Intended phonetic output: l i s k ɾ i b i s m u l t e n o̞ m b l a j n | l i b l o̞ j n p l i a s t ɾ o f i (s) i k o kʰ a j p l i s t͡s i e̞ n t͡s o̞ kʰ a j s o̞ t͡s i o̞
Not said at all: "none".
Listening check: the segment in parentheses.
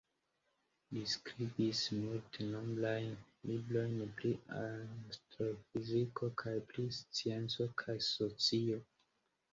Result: z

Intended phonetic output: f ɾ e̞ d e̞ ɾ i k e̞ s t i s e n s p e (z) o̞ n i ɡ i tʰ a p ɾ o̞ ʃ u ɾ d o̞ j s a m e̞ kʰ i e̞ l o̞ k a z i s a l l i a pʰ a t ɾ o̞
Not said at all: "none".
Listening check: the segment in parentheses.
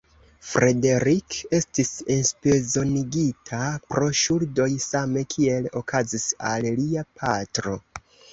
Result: z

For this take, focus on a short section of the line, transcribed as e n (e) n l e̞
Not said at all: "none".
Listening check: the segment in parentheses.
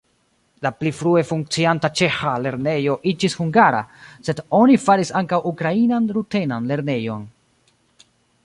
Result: a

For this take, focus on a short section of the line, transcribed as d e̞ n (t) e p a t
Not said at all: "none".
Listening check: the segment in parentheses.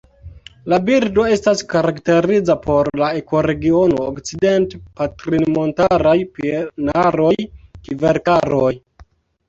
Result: t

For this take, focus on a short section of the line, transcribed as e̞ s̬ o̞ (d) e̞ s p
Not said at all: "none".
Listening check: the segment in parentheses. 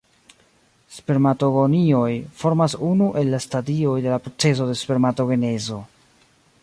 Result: d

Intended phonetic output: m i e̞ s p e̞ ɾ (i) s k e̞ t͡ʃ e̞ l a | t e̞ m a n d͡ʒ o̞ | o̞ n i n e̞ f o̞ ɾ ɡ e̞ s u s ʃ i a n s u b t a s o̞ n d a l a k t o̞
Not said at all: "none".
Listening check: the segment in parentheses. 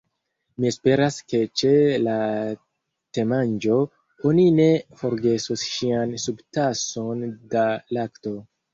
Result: a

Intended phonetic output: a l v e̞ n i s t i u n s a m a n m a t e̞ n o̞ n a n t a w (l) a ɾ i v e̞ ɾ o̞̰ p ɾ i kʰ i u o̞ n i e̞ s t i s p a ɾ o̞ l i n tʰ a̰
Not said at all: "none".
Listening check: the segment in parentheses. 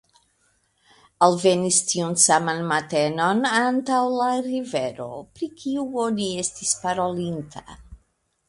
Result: l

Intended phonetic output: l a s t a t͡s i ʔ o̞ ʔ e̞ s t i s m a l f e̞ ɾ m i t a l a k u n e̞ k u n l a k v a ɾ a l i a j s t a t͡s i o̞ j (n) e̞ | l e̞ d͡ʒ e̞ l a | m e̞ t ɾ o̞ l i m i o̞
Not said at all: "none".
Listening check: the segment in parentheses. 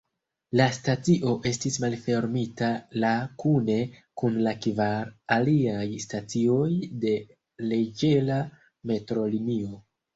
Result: d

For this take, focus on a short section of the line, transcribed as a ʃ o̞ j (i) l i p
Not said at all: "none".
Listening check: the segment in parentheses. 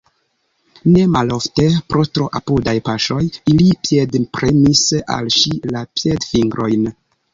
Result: i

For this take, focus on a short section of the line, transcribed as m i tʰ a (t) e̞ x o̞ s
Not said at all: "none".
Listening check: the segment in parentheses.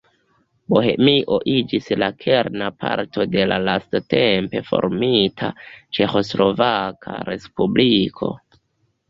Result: t͡ʃ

